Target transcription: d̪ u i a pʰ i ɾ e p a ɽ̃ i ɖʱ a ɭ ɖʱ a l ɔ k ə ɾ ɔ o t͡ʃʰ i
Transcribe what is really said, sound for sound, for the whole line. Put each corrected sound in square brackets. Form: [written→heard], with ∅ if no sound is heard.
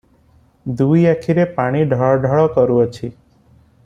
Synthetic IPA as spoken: d̪ u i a [pʰ→kʰ] i ɾ e p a ɽ̃ i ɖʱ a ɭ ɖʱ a [l→ɭ] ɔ k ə ɾ [ɔ→u] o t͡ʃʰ i